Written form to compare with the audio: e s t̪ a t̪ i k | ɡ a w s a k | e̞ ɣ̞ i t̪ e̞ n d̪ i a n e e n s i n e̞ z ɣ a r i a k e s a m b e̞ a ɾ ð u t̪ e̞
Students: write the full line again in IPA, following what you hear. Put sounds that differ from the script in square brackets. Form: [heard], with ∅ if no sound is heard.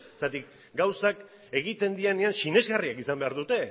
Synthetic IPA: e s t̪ a t̪ i k | ɡ a w s a k | e̞ ɣ̞ i t̪ e̞ n d̪ i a n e [a] n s i n e̞ z ɣ a r i a k [i] s a m b e̞ a ɾ ð u t̪ e̞